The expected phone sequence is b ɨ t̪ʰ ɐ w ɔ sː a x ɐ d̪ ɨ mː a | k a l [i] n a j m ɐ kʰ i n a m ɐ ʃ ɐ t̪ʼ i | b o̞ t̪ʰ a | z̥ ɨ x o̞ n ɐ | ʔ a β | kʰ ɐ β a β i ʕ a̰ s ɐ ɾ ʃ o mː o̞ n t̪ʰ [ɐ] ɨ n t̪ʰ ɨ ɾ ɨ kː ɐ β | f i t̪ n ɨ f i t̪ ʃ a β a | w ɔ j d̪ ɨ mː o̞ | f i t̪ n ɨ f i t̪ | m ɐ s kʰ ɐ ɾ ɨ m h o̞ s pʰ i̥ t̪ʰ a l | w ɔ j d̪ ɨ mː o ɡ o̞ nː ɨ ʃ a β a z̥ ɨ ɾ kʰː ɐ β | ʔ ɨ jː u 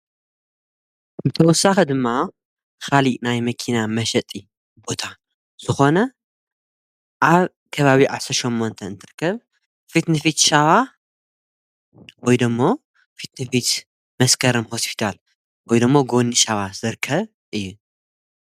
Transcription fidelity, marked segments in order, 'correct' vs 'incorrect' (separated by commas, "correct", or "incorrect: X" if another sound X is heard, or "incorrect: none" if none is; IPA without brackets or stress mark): correct, correct